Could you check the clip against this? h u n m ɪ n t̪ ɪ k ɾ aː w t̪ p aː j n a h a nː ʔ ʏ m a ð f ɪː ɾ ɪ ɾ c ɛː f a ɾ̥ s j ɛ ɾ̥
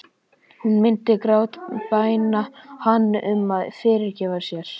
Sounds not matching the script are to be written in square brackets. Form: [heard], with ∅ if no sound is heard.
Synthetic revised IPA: h u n m ɪ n t̪ ɪ k ɾ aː w t̪ p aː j n a h a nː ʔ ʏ m a ð f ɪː ɾ ɪ ɾ c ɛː [v] a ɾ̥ s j ɛ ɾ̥